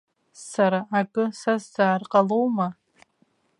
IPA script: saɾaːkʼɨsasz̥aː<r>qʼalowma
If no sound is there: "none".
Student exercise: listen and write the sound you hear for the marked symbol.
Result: r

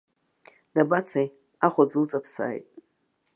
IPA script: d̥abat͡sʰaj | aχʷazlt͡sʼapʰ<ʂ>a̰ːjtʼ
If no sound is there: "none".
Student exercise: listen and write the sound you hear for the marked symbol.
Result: s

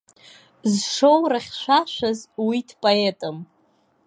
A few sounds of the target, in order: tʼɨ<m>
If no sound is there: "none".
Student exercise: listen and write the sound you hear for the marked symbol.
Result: m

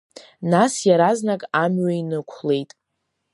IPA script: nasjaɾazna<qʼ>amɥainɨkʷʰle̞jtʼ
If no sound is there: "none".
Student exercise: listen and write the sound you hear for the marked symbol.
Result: kʼ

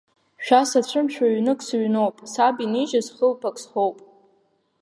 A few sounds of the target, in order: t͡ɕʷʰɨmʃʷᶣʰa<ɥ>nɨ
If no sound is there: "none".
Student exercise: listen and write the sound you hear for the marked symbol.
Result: ɥ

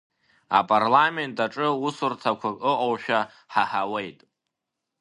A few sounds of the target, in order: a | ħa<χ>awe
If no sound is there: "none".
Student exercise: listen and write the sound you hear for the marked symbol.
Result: ħ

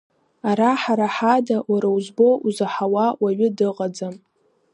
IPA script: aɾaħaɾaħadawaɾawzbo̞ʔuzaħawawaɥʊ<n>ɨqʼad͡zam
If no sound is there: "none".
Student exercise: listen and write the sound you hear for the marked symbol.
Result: d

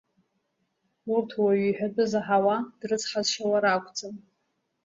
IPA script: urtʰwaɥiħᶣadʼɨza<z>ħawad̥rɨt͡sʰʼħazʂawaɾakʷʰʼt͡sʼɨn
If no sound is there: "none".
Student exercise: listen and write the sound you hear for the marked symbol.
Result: none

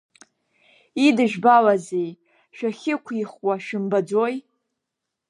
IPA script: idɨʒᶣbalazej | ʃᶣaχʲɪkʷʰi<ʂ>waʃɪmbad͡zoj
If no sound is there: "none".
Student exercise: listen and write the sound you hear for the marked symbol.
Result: χ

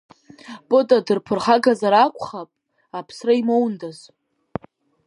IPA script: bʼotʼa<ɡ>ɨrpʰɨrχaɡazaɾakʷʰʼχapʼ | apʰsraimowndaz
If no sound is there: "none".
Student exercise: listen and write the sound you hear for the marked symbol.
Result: d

